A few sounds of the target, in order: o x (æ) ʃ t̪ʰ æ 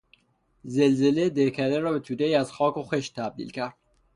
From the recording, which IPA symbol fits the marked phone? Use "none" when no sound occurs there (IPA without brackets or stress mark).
e